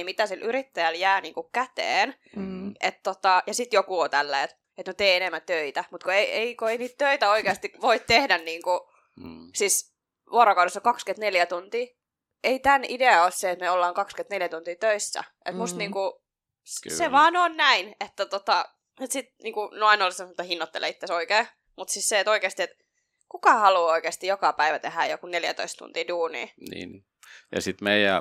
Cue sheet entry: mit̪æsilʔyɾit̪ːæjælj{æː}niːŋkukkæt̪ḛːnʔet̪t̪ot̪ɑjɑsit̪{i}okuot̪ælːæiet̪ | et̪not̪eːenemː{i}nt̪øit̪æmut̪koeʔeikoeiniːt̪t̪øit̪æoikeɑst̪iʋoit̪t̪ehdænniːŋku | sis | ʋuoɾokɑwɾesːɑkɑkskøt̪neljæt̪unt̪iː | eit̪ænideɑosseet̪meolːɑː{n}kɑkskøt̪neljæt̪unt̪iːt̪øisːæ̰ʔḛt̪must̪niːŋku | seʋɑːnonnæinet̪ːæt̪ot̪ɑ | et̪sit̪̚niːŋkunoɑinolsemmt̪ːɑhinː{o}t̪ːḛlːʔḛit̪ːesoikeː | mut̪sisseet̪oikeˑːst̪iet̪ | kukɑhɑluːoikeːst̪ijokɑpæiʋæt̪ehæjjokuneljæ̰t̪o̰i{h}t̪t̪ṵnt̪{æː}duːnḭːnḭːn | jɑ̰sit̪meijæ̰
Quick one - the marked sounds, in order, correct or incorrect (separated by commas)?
correct, incorrect, incorrect, incorrect, correct, incorrect, incorrect